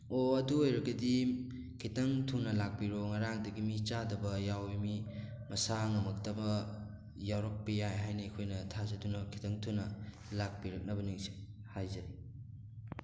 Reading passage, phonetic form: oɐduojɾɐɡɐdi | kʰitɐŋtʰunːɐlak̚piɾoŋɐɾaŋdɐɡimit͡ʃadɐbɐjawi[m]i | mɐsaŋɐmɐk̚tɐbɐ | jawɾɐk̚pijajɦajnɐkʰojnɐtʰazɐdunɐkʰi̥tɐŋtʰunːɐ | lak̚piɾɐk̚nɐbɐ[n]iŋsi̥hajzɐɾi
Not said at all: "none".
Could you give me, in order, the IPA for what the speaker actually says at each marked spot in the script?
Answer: m, n

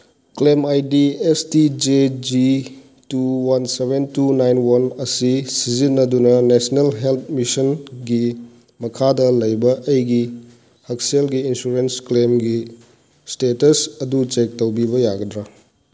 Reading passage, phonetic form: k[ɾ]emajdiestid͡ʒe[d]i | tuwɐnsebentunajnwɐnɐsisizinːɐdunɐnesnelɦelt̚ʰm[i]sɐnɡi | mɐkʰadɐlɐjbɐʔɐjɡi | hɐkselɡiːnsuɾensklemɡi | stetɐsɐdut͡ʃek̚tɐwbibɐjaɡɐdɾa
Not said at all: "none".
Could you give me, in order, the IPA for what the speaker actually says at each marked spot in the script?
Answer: l, d͡ʒ, i

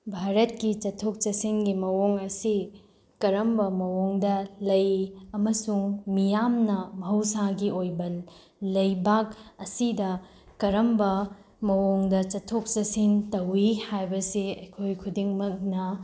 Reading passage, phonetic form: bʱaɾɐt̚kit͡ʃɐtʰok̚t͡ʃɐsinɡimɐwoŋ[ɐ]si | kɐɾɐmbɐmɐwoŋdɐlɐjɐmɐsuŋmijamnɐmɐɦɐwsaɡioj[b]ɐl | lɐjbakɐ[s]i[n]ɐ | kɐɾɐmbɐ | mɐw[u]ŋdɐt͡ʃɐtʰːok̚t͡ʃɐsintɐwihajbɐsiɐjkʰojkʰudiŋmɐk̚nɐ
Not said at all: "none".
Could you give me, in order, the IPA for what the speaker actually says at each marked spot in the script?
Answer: ɐ, b, s, d, o

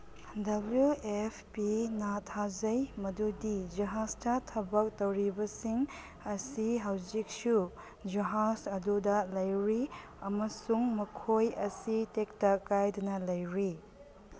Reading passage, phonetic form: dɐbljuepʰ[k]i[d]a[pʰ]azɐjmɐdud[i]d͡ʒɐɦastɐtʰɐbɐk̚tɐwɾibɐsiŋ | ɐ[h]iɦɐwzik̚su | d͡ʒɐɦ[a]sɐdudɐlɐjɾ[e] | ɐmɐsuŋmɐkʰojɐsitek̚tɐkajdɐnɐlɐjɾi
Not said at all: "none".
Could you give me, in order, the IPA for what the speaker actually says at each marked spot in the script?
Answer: p, n, tʰ, i, s, a, i

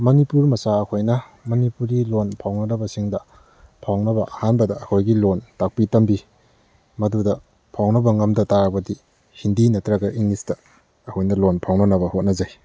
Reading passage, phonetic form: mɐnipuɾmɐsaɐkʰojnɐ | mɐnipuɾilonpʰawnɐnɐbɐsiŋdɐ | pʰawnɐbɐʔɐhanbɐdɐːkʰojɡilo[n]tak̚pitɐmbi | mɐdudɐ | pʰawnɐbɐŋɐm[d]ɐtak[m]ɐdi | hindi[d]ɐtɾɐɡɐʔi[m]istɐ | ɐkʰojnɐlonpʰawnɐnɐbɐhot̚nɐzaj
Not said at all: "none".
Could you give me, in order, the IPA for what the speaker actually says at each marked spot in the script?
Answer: n, d, b, n, ŋ

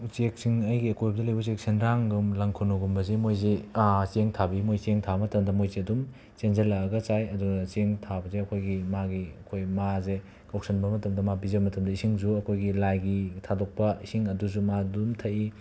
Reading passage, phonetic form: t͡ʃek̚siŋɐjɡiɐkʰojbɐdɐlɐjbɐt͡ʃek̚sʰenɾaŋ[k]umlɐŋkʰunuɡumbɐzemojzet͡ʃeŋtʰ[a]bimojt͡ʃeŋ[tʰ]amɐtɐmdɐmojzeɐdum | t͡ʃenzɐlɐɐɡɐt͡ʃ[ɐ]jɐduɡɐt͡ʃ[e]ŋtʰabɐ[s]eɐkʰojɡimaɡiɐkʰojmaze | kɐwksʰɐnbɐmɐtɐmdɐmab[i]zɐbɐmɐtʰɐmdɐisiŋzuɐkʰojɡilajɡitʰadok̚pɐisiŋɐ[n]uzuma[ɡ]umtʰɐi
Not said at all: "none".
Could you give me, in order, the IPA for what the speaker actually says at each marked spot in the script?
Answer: ɡ, a, tʰ, a, e, z, i, d, d

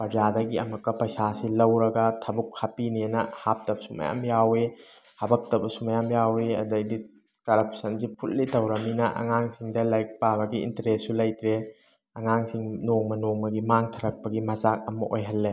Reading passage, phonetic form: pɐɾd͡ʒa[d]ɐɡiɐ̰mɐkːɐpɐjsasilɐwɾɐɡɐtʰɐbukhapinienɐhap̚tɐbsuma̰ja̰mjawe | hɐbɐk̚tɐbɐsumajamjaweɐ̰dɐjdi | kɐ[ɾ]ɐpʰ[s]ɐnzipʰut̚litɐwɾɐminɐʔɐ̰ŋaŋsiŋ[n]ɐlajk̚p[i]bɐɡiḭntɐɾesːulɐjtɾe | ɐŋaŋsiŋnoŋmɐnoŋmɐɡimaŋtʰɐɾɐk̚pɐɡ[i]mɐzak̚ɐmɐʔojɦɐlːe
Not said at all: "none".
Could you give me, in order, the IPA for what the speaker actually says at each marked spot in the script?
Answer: d, ɾ, s, d, a, i

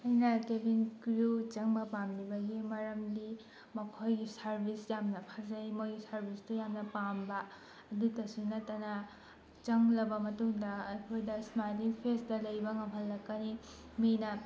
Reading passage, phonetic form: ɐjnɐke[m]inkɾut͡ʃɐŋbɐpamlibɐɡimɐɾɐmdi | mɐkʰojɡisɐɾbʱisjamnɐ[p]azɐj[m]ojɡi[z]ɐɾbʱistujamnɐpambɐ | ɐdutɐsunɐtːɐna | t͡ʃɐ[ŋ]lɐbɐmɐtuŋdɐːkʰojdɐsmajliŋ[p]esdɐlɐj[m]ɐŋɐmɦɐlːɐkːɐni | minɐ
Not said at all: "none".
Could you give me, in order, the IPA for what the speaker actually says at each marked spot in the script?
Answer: b, pʰ, m, s, ŋ, pʰ, b

